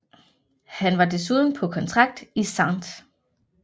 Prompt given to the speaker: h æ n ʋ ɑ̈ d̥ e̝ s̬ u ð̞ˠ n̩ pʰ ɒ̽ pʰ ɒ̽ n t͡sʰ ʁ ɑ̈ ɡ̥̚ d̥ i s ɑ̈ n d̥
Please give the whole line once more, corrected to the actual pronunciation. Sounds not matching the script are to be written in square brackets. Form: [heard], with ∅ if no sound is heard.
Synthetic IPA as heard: h æ n ʋ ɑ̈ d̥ e̝ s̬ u ð̞ˠ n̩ pʰ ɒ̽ [kʰ] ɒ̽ n t͡sʰ ʁ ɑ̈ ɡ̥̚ d̥ i s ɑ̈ n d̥